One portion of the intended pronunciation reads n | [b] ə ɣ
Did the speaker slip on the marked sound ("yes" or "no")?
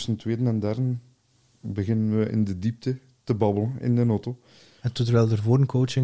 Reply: no